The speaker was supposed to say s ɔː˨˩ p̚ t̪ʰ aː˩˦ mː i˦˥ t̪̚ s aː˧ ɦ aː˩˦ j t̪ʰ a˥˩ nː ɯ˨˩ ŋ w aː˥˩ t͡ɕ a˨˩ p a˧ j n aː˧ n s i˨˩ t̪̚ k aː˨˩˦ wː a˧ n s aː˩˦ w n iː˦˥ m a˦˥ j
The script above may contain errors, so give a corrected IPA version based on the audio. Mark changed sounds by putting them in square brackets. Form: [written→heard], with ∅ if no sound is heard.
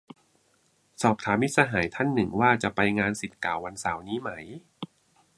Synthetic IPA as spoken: s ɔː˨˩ p̚ t̪ʰ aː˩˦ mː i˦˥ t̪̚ s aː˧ ɦ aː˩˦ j t̪ʰ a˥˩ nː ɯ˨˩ ŋ w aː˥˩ t͡ɕ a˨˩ p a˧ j [n→ŋ] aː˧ n s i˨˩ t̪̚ k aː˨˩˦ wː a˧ n s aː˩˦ w n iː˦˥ m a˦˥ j